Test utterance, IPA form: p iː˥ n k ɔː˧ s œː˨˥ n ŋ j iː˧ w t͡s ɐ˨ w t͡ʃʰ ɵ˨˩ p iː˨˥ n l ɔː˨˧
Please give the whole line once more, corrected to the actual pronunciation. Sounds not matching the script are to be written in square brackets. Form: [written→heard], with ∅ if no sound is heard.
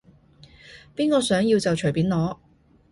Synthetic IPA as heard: p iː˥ n k ɔː˧ s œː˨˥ [n→∅] ŋ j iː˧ w t͡s ɐ˨ w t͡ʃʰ ɵ˨˩ p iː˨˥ n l ɔː˨˧